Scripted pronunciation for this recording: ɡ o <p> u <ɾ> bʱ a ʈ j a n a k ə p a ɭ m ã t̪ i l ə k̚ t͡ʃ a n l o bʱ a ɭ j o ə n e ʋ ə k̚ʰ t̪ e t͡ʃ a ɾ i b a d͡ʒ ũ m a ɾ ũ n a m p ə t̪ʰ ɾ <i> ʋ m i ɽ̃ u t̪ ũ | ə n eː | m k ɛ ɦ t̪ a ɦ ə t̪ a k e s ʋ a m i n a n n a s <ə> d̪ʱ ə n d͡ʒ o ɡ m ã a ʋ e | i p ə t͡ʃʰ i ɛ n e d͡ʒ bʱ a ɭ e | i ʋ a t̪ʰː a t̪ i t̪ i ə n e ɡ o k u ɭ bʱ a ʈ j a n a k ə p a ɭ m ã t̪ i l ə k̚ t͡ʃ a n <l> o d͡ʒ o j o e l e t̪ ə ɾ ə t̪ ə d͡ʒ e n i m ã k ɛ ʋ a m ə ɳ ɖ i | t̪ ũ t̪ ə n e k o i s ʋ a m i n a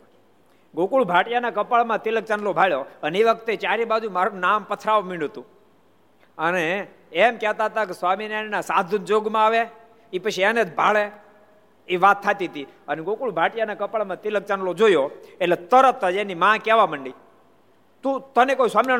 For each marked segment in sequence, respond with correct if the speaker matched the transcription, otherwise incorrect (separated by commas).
incorrect, incorrect, incorrect, incorrect, correct